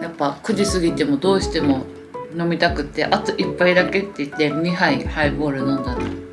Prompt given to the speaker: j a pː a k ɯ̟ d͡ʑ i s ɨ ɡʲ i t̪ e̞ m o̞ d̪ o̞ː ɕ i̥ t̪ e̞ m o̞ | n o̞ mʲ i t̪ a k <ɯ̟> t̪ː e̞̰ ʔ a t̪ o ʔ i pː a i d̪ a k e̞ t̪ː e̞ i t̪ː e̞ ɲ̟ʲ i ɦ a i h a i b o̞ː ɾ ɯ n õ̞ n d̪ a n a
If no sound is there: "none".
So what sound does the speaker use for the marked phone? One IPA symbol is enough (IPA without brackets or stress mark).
ɯ̟